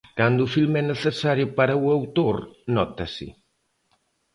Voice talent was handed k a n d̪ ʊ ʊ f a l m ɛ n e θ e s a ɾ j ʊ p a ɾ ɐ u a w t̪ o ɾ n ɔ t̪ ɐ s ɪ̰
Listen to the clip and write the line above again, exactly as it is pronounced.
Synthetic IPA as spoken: k a n d̪ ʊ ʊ f i l m ɛ n e θ e s a ɾ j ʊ p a ɾ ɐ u a w t̪ o ɾ n ɔ t̪ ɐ s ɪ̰